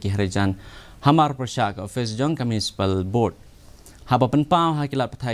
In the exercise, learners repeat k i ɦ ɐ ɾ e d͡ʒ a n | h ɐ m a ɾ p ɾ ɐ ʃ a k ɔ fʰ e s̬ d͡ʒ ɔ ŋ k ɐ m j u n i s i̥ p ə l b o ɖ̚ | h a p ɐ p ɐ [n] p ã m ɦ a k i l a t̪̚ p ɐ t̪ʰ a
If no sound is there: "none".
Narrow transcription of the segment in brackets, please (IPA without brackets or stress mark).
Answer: n